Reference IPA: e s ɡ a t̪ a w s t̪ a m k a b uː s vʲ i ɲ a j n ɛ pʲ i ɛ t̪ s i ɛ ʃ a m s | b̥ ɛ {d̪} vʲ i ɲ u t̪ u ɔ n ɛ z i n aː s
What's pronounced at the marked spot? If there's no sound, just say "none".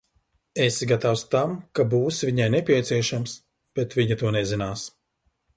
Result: t̪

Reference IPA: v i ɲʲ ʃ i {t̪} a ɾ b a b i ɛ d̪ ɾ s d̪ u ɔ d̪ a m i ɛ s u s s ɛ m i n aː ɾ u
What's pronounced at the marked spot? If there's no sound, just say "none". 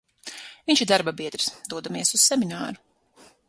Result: d̪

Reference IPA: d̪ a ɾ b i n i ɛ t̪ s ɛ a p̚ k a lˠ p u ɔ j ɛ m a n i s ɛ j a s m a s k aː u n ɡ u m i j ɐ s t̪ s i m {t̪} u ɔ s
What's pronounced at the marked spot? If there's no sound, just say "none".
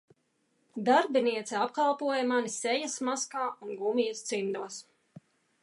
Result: d̪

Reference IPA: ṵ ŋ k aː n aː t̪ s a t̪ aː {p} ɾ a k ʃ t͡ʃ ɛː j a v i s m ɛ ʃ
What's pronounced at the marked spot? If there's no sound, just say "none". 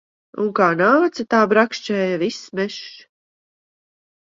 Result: b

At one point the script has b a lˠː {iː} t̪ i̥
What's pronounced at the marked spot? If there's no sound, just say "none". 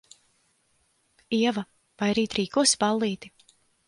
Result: iː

